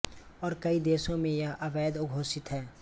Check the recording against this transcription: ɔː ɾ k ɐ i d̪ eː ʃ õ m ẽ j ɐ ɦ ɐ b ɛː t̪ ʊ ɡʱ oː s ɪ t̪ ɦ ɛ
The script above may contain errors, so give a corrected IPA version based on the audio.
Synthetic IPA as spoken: ɔː ɾ k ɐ i d̪ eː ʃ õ m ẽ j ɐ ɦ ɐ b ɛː d̪ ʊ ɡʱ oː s ɪ t̪ ɦ ɛː

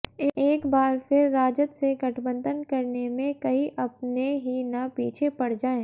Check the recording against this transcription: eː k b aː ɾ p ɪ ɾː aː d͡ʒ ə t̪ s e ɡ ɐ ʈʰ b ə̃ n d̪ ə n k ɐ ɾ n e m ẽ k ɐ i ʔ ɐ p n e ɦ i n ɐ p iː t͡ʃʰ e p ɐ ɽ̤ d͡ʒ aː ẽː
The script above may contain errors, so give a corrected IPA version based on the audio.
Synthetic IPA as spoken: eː k b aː ɾ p ɪ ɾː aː d͡ʒ ə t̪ s e ɡ ɐ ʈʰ b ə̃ n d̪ ə n k ɐ ɾ n e m ẽ k ɐ i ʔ ɐ p n e ɦ i n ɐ p iː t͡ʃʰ e p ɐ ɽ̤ d͡ʒ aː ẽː

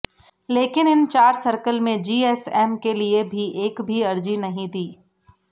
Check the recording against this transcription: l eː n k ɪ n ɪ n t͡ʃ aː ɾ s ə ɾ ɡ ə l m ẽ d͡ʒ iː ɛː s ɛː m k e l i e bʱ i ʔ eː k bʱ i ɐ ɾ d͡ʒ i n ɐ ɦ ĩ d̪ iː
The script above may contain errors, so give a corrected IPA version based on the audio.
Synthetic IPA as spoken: l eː k ɪ n ɪ n t͡ʃ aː ɾ s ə ɾ k ə l m ẽ d͡ʒ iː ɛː s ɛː m k e l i e bʱ i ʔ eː k bʱ i ɐ ɾ d͡ʒ i n ɐ ɦ ĩ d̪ iː

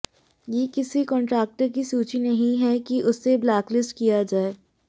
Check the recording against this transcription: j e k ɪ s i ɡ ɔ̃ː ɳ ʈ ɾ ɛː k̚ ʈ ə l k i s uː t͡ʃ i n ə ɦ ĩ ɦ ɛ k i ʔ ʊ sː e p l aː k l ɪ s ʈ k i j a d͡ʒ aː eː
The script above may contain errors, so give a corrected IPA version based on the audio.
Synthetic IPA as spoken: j e k ɪ s i k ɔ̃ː ɳ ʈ ɾ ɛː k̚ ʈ ə ɾ k i s uː t͡ʃ i n ɐ ɦ ĩ ɦ ɛ k i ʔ ʊ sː e b l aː k l ɪ s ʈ k i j a d͡ʒ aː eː

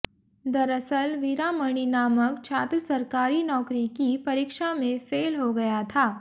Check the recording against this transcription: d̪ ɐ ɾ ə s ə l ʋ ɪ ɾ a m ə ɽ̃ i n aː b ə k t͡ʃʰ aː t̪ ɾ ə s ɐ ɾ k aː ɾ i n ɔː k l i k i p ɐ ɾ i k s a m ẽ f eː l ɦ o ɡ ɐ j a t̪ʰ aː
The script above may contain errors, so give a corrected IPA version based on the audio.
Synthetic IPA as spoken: d̪ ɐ ɾ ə s ə l ʋ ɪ ɾ a m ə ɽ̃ i n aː m ə k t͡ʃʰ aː t̪ ɾ ə s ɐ ɾ k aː ɾ i n ɔː k ɾ i k i p ɐ ɾ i k ʃ a m ẽ f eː l ɦ o ɡ ɐ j a t̪ʰ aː

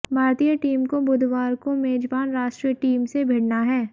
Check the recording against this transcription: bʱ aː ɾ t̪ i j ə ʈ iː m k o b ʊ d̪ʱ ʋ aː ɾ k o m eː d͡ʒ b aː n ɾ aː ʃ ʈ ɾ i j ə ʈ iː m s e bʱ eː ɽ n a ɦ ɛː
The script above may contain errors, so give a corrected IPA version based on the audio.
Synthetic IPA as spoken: bʱ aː ɾ t̪ i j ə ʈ iː m k o b ʊ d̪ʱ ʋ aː ɾ k o m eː d͡ʒ b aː n ɾ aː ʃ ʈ ɾ i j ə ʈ iː m s e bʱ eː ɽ n a ɦ ɛː

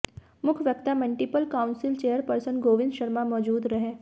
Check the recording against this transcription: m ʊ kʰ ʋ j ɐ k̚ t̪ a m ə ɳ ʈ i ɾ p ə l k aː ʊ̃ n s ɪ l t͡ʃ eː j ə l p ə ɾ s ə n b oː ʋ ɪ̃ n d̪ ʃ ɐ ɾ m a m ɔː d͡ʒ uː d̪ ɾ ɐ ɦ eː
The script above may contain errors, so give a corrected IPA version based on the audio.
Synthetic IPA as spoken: m ʊ kʰ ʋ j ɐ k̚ t̪ a m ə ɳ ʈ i p ə l k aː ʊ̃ n s ɪ l t͡ʃ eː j ə ɾ p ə ɾ s ə n ɡ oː ʋ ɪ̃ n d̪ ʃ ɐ ɾ m a m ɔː d͡ʒ uː d̪ ɾ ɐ ɦ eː

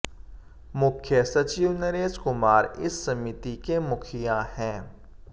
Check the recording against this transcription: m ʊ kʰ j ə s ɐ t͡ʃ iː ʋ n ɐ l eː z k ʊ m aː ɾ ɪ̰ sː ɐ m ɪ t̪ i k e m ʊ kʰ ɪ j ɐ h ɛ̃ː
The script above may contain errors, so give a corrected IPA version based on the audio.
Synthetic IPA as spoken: m ʊ kʰ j ə s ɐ t͡ʃ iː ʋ n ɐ ɾ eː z k ʊ m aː ɾ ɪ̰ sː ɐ m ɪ t̪ i k e m ʊ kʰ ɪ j a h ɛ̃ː

